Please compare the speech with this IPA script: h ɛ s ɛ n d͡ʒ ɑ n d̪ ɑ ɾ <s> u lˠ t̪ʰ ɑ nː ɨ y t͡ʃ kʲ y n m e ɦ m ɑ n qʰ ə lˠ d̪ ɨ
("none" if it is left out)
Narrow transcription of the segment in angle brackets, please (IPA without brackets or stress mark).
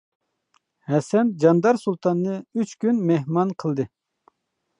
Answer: s